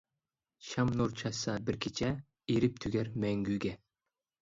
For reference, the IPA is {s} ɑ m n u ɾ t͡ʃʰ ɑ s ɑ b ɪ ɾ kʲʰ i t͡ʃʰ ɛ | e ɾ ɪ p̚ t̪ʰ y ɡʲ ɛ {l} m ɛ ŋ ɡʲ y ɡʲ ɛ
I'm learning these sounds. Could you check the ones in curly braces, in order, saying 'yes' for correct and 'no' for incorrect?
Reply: no, no

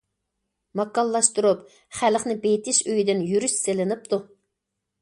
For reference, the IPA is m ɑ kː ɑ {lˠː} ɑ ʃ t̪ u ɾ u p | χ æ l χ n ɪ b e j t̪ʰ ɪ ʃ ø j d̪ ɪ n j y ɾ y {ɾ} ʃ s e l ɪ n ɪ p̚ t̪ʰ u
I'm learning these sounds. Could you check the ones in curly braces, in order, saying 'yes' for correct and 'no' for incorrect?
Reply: yes, no

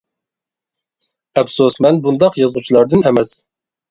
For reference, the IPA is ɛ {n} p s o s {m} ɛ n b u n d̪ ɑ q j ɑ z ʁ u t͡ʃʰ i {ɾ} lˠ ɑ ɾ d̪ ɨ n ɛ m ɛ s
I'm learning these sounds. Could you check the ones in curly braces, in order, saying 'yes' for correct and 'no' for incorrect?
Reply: no, yes, no

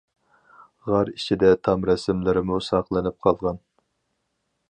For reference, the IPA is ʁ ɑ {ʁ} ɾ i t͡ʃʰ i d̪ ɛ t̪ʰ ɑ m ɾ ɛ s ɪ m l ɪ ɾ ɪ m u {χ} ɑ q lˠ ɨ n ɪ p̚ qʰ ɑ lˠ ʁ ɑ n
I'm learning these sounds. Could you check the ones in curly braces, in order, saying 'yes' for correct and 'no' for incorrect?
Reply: no, no

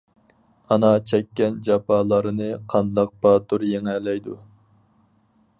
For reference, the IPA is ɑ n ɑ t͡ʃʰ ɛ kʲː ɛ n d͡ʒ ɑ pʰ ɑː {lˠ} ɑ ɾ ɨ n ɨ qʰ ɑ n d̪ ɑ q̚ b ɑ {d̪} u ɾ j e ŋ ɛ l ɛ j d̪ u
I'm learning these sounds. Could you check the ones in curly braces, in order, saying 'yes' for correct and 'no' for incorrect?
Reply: yes, no

